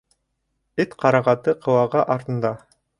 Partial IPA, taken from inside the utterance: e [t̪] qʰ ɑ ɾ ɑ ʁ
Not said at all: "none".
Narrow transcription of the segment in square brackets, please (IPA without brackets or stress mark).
t̪